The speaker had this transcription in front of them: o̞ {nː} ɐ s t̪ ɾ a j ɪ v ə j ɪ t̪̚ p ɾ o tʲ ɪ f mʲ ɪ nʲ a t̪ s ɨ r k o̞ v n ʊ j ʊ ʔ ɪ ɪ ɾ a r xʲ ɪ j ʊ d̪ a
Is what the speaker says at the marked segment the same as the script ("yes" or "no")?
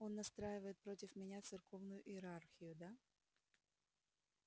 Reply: yes